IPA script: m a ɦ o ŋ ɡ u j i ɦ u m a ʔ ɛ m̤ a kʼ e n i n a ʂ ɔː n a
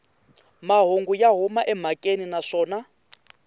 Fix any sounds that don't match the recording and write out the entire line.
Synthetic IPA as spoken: m a ɦ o ŋ ɡ u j a ɦ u m a ʔ ɛ m̤ a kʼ e n i n a ʂ ɔː n a